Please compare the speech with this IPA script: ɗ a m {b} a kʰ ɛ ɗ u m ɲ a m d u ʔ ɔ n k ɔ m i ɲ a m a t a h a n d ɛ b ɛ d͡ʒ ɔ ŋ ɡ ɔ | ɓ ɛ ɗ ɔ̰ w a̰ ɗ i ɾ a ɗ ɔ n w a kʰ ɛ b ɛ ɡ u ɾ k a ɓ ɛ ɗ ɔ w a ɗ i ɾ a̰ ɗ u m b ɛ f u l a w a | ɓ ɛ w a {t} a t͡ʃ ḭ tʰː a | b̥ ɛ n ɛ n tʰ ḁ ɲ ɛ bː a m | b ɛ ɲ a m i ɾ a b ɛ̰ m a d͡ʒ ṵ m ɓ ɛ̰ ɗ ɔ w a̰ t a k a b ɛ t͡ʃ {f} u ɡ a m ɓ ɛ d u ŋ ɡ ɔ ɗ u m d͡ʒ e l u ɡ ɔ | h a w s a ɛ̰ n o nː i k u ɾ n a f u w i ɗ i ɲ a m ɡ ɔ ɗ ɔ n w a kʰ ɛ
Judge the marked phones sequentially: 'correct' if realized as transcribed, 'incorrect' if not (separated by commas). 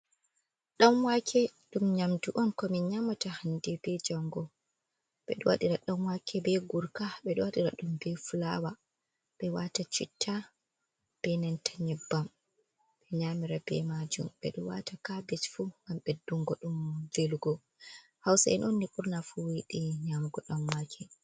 incorrect, correct, correct